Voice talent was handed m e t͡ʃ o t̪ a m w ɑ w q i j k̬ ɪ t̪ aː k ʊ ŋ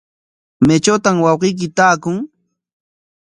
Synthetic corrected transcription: m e t͡ʃ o t̪ a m w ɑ w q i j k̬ ɪ t̪ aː k ʊ ŋ